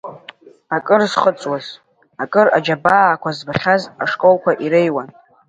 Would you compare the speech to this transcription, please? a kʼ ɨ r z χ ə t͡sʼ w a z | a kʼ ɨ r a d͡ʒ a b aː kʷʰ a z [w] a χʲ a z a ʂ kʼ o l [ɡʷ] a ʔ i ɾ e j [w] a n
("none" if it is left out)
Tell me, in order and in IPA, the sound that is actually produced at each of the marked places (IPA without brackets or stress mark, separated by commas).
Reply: b, kʷ, w